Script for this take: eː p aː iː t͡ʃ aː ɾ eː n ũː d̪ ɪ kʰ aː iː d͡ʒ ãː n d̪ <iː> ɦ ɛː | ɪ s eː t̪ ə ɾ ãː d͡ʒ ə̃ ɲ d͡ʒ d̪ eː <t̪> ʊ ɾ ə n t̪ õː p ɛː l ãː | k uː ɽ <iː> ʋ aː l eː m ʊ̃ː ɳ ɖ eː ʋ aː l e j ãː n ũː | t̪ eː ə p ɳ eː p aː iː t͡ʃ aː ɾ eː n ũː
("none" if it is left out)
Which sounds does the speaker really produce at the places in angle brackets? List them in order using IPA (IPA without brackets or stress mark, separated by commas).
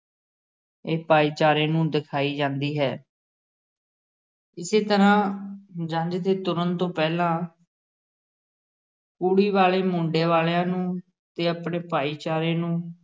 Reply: iː, t̪, iː